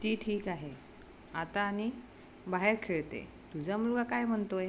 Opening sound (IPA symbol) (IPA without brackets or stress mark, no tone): t̪